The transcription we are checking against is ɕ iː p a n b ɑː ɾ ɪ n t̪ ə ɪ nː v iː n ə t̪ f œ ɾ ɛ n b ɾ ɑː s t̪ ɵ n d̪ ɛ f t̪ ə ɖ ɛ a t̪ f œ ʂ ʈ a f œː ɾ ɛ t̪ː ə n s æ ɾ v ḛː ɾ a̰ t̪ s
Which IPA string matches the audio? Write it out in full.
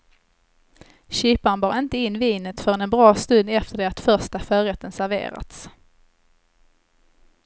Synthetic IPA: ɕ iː p a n b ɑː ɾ ɪ n t̪ ə ɪ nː v iː n ə t̪ f œ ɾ ɛ n b ɾ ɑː s t̪ ɵ n d̪ ɛ f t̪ ə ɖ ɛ a t̪ f œ ʂ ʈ a f œː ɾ ɛ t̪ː ə n s æ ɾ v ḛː ɾ a̰ t̪ s